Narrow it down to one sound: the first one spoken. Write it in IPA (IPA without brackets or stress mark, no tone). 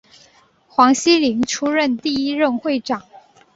x